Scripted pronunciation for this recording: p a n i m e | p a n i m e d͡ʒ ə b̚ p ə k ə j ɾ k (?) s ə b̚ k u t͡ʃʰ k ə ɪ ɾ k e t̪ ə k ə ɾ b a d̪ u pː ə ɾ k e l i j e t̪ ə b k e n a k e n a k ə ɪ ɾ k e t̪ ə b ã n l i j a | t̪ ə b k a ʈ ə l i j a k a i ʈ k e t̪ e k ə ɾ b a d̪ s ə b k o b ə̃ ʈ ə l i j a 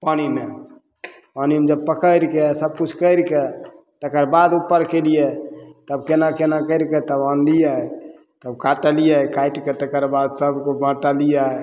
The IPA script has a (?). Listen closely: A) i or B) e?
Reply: B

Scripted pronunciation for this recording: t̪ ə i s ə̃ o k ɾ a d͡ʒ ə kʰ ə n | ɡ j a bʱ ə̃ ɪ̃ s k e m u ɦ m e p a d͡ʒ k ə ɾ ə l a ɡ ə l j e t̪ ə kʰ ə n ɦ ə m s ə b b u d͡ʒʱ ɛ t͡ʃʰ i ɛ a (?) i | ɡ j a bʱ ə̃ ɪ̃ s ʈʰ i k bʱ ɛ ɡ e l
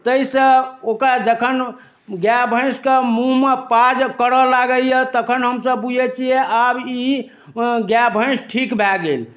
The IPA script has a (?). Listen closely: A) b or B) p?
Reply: A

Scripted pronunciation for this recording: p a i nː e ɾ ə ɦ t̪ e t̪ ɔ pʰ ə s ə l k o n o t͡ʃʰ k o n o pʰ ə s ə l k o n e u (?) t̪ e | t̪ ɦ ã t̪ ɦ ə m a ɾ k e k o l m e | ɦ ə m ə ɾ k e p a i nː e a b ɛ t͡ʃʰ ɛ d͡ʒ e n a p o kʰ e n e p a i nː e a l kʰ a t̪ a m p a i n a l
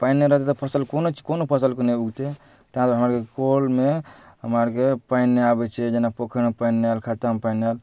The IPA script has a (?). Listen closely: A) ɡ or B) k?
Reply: A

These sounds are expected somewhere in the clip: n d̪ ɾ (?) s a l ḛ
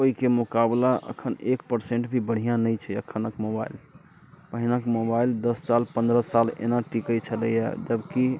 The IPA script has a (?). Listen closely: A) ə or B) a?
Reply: A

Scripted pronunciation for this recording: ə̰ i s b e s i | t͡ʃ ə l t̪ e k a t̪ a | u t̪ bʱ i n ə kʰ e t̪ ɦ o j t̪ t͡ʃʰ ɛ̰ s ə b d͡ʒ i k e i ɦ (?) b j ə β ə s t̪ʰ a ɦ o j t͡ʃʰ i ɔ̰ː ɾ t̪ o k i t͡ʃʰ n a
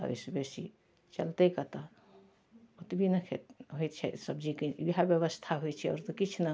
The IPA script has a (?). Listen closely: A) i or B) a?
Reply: B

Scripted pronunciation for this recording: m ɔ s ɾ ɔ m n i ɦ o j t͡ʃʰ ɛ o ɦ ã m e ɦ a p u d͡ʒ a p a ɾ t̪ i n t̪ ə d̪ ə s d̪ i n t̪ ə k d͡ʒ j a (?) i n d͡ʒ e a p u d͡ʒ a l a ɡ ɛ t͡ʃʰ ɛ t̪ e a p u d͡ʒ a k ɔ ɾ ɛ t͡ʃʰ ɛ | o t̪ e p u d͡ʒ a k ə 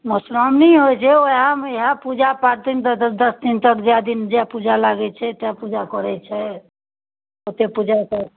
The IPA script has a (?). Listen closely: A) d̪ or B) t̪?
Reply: A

